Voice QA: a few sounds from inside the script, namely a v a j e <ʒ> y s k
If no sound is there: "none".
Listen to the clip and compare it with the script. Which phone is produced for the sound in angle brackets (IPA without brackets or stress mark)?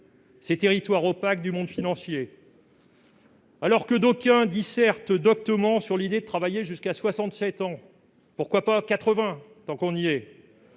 ʒ